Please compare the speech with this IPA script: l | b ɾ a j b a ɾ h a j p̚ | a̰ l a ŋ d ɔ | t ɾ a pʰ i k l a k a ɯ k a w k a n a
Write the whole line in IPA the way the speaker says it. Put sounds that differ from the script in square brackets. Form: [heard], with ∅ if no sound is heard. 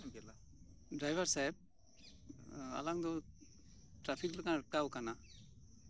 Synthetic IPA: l | [d] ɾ a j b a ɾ [s] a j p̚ | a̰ l a ŋ d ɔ | t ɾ a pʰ i k l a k a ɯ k a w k a n a